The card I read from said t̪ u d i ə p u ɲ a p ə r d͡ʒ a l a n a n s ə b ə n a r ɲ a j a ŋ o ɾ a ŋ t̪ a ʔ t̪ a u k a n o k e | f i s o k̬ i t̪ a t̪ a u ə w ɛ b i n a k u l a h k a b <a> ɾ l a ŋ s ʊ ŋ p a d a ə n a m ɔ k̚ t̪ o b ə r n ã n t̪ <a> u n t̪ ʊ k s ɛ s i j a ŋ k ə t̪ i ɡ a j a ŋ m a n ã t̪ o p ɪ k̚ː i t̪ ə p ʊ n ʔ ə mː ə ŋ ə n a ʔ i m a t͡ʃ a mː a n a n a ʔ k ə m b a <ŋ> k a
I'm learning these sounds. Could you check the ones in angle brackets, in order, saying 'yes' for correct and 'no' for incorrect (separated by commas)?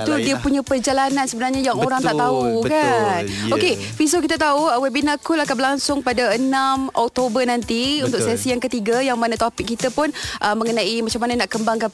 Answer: no, no, yes